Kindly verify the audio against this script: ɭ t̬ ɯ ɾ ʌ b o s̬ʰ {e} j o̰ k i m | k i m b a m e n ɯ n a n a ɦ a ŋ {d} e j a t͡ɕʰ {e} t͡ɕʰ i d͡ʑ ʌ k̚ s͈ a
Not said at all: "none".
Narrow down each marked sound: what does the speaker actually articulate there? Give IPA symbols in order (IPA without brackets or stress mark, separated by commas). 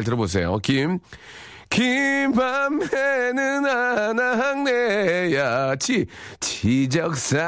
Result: e, n, i